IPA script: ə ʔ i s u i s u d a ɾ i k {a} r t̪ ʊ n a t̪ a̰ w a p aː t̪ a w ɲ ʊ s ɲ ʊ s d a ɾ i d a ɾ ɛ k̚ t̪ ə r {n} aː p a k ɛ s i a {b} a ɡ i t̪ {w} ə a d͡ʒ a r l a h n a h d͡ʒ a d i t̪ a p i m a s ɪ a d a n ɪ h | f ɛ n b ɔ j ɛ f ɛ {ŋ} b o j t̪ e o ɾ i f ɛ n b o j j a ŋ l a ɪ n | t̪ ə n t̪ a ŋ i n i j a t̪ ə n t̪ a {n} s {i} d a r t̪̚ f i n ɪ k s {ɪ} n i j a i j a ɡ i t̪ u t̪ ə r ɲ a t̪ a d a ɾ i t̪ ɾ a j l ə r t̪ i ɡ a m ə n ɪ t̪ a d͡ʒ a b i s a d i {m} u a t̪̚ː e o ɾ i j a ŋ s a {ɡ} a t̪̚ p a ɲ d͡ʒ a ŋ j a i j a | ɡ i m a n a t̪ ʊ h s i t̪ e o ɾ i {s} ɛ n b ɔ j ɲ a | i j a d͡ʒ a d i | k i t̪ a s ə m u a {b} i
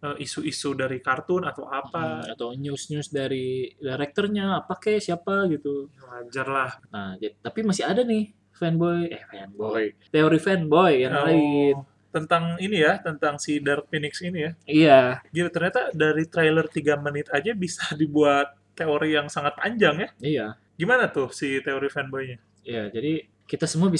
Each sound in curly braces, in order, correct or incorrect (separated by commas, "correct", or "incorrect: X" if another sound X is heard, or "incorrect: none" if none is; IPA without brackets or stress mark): correct, incorrect: ɲ, incorrect: p, incorrect: u, incorrect: n, incorrect: ŋ, correct, incorrect: i, incorrect: b, incorrect: ŋ, incorrect: f, correct